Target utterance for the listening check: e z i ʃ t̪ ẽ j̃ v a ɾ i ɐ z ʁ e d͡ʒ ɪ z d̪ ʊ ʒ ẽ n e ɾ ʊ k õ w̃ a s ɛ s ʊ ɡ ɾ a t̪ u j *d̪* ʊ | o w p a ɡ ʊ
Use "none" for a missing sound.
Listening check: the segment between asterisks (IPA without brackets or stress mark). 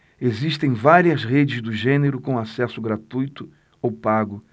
t̪